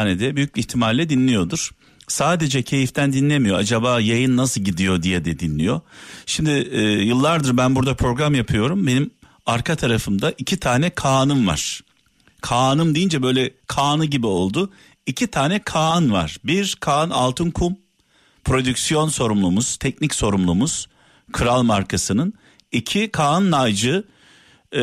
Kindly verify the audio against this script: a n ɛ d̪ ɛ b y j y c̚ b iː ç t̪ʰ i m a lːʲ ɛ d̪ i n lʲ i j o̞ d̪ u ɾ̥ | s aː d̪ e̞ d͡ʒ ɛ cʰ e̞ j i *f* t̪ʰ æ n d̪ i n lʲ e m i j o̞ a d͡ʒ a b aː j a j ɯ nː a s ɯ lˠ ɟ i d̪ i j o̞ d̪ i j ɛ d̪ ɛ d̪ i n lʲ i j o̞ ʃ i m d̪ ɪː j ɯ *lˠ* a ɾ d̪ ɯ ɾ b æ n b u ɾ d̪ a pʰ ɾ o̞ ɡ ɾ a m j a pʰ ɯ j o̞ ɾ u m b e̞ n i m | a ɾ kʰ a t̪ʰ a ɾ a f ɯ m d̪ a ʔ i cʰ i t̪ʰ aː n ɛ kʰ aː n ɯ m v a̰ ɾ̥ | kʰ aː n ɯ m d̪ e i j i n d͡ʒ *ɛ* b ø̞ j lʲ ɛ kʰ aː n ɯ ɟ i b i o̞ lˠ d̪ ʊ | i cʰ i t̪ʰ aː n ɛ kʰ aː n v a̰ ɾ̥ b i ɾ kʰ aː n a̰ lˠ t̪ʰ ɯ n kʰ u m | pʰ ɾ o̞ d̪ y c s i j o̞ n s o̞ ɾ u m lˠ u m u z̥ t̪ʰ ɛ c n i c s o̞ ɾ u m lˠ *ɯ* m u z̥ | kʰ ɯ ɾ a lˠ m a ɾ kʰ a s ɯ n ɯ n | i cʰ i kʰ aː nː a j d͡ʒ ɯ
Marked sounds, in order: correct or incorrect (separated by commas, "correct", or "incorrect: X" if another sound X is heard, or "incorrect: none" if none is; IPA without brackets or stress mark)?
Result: correct, incorrect: lˠː, correct, incorrect: u